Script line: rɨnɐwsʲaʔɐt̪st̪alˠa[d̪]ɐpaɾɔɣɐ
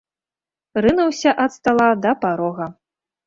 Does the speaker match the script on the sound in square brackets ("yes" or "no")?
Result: yes